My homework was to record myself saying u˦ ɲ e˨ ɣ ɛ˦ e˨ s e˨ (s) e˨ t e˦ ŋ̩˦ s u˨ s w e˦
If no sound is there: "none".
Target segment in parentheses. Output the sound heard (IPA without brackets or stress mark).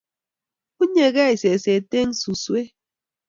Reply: s